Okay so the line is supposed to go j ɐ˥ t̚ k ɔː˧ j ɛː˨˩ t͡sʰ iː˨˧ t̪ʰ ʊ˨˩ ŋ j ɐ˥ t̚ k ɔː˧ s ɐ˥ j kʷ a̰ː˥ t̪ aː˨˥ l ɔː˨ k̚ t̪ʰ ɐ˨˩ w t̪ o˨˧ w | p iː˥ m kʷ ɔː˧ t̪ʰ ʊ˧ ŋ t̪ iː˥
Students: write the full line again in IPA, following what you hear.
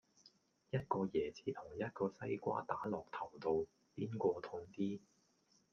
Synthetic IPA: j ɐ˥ t̚ k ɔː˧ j ɛː˨˩ t͡sʰ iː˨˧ t̪ʰ ʊ˨˩ ŋ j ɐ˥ t̚ k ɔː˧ s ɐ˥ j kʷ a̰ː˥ t̪ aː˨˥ l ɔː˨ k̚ t̪ʰ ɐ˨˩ w t̪ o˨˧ w | p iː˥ n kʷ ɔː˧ t̪ʰ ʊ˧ ŋ t̪ iː˥